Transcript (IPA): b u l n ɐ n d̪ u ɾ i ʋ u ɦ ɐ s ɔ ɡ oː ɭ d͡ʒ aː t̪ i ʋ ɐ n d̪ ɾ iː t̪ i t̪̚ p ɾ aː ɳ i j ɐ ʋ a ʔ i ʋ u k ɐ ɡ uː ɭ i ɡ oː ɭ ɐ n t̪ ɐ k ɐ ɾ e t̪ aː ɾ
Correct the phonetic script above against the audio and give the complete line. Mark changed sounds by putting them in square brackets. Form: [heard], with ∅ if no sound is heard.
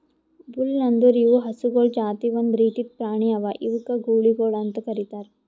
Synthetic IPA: b u l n ɐ n d̪ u ɾ i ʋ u ɦ ɐ s [u] ɡ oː ɭ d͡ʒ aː t̪ i ʋ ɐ n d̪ ɾ iː t̪ i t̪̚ p ɾ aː ɳ i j ɐ ʋ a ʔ i ʋ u k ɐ ɡ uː ɭ i ɡ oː ɭ ɐ n t̪ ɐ k ɐ ɾ [i] t̪ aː ɾ